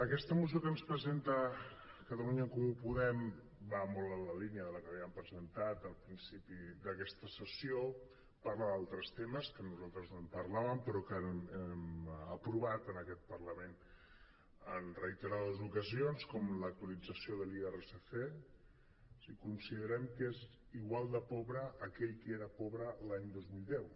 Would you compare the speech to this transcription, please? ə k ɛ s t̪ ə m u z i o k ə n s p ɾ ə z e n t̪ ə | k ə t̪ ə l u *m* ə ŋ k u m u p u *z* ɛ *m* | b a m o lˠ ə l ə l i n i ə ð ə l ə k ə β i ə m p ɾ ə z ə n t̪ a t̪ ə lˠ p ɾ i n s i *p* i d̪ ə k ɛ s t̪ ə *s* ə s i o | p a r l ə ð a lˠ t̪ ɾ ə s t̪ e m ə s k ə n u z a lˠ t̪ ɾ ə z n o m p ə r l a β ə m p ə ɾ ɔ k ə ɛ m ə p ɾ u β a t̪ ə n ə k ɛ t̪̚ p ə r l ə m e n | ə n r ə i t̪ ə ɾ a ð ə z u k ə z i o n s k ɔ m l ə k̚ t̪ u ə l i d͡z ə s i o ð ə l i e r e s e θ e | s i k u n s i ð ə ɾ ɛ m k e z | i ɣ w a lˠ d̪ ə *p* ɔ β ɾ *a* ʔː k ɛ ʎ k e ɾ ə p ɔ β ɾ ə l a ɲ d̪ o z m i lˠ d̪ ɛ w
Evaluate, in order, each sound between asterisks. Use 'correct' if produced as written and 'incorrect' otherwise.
incorrect: ɲ, incorrect: ð, correct, correct, correct, correct, incorrect: ə

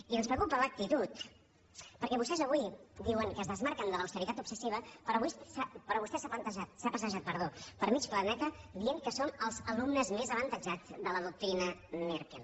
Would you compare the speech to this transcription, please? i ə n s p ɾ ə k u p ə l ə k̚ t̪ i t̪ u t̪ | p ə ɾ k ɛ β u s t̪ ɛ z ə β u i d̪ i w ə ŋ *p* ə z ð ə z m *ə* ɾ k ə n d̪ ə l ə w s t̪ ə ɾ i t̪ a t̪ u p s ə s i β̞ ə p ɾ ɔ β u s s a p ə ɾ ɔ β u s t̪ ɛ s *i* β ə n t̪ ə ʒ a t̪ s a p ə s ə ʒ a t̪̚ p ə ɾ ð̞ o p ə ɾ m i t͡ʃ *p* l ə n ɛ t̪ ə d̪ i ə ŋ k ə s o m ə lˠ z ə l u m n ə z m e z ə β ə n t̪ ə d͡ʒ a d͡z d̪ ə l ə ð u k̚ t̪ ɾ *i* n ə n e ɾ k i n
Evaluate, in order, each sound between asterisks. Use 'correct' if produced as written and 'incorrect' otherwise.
incorrect: k, incorrect: a, incorrect: a, correct, correct

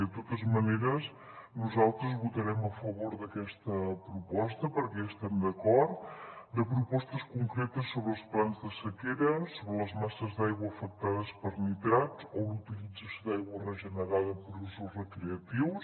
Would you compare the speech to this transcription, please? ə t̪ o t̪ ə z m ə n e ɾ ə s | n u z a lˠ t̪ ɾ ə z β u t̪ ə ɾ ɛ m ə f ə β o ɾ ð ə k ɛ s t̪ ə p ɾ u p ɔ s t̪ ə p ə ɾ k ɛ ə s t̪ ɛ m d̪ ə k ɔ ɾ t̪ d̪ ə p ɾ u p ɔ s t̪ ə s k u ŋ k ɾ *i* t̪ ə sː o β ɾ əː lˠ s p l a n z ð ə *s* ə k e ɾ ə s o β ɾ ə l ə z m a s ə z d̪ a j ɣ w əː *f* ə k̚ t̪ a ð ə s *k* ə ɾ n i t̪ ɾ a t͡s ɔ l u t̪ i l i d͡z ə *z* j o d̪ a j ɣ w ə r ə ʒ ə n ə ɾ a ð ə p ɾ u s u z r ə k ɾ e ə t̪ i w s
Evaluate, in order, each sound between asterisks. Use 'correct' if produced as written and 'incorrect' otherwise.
incorrect: e, correct, correct, incorrect: p, incorrect: s

